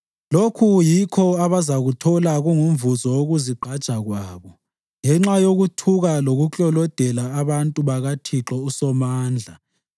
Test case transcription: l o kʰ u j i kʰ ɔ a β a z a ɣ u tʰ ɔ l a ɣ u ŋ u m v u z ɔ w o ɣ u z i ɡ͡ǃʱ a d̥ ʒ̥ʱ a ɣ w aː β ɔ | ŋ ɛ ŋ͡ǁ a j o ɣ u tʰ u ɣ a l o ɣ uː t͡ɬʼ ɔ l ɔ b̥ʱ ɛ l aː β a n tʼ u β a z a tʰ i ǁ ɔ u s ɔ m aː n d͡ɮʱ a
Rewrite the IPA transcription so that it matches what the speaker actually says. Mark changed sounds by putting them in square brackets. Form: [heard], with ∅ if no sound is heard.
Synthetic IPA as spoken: l o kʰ u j i kʰ ɔ a β a z a ɣ u tʰ ɔ l a ɣ u ŋ u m v u z ɔ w o ɣ u z i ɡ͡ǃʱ a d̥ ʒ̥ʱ a ɣ w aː β ɔ | ŋ ɛ ŋ͡ǁ a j o ɣ u tʰ u ɣ a l o ɣ [u] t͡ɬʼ ɔ l ɔ [d̥ʱ] ɛ l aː β a n tʼ u β a [ɣ] a tʰ i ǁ ɔ u s ɔ m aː n d͡ɮʱ a